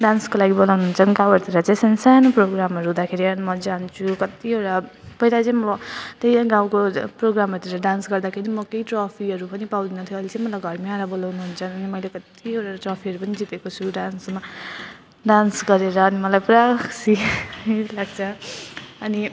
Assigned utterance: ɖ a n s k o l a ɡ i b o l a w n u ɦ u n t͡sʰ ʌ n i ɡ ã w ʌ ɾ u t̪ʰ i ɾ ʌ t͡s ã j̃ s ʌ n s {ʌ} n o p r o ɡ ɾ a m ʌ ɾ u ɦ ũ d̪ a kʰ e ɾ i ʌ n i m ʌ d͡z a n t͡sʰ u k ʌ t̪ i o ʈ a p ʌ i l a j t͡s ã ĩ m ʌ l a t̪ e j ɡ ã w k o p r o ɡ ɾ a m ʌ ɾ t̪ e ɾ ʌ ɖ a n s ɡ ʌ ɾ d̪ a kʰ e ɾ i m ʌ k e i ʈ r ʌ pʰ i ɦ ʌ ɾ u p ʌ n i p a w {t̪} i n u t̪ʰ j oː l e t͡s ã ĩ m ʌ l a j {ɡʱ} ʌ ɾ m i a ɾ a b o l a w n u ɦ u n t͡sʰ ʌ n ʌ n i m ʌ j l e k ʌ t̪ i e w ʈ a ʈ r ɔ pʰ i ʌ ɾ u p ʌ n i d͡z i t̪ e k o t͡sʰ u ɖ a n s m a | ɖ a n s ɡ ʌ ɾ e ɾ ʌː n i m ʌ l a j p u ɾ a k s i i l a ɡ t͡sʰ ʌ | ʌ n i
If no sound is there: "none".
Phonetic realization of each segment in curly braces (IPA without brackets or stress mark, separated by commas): a, d̪, ɡʱ